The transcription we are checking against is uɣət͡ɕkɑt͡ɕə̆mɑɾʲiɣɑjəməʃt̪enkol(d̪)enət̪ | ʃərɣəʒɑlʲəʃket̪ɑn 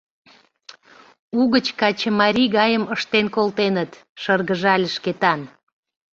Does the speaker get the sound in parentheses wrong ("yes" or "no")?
yes